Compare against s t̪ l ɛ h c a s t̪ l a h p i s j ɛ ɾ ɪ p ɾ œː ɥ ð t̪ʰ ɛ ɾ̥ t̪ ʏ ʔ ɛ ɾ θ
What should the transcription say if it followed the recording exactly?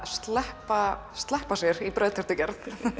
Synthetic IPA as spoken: s t̪ l ɛ h p a s t̪ l ɛ h p a s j ɛ ɾ i p ɾ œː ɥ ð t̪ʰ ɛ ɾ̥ t̪ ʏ c ɛ ɾ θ